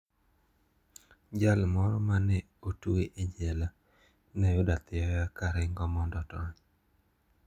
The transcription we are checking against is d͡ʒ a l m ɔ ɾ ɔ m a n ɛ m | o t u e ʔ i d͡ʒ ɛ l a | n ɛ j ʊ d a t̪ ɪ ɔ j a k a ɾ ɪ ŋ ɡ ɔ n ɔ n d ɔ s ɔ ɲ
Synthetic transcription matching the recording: d͡ʒ a l m ɔ ɾ ɔ m a n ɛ | o t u e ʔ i d͡ʒ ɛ l a | n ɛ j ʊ d a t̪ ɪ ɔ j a k a ɾ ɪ ŋ ɡ ɔ m ɔ n d ɔ t ɔ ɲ